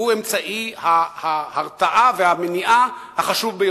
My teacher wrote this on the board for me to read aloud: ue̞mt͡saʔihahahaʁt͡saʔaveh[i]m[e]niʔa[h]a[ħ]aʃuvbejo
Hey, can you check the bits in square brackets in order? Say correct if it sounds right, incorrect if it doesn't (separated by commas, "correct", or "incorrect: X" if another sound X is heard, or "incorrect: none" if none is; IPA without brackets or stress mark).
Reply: incorrect: a, correct, correct, incorrect: χ